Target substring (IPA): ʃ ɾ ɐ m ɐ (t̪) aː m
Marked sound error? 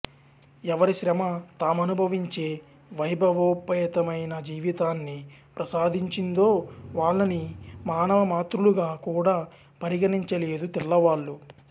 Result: no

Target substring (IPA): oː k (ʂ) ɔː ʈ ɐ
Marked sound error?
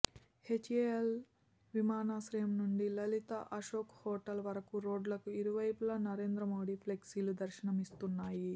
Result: yes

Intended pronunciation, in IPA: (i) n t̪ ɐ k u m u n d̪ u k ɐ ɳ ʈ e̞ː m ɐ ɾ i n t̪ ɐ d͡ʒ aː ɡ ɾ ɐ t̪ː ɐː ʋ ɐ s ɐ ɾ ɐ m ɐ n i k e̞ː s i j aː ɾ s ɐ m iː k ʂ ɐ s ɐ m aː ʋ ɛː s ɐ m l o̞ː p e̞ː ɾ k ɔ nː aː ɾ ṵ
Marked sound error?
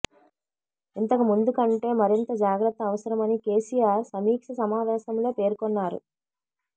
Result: no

